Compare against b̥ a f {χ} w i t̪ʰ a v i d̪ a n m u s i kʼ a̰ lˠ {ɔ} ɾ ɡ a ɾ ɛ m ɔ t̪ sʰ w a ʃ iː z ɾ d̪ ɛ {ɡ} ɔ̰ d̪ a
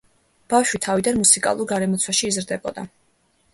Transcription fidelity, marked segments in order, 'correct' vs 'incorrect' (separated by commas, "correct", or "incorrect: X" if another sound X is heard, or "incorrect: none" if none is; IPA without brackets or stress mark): incorrect: ʃ, incorrect: u, incorrect: b